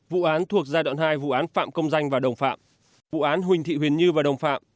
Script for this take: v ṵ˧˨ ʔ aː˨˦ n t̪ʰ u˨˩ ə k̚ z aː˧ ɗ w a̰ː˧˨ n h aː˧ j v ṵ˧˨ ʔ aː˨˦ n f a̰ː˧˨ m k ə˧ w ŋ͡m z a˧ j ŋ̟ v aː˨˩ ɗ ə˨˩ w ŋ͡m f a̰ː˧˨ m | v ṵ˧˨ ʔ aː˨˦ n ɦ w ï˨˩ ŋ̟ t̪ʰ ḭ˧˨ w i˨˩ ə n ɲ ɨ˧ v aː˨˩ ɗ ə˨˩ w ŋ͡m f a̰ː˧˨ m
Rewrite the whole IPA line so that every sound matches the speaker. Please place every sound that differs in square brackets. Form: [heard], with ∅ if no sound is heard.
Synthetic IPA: v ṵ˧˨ ʔ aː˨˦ n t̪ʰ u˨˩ ə k̚ z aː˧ ɗ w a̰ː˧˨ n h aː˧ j v ṵ˧˨ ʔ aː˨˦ n f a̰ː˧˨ m k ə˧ w ŋ͡m z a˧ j ŋ̟ v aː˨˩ ɗ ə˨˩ w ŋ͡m f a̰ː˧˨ m | v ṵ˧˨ ʔ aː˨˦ n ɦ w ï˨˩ ŋ̟ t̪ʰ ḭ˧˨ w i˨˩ ə n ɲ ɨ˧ v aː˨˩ ɗ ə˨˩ w ŋ͡m f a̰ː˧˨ m